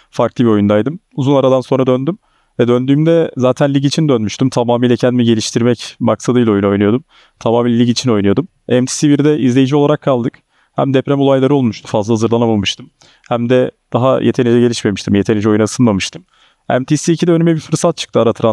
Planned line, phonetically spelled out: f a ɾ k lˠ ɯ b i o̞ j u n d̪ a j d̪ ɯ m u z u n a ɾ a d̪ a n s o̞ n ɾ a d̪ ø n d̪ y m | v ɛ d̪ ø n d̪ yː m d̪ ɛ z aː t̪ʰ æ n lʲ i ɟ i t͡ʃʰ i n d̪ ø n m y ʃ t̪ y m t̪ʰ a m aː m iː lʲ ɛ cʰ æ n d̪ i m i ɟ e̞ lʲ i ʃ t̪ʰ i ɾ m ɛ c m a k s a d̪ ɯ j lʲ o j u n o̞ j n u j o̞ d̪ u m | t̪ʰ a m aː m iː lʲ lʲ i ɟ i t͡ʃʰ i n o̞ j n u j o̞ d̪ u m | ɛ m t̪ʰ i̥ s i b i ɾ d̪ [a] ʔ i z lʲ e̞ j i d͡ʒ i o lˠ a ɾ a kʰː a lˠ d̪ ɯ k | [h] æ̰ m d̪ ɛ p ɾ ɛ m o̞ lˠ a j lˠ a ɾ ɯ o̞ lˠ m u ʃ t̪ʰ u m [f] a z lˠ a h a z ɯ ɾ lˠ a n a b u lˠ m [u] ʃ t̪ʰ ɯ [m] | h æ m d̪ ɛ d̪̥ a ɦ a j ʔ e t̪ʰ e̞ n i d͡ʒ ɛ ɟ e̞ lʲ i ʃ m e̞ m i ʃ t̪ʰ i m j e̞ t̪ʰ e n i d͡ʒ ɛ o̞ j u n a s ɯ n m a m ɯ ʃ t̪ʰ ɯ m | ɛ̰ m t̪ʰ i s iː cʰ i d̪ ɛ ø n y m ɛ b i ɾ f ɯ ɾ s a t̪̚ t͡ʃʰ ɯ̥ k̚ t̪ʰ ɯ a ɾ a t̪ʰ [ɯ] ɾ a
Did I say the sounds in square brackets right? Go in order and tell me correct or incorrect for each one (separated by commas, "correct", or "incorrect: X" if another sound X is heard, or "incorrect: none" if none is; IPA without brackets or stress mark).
incorrect: ɛ, correct, correct, incorrect: ɯ, correct, correct